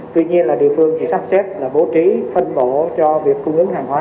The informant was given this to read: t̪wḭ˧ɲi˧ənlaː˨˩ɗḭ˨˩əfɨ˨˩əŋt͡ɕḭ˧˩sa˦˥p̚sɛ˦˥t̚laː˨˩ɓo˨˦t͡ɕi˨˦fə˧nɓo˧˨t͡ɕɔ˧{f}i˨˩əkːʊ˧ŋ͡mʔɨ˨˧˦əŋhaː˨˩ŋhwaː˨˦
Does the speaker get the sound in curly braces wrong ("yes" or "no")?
yes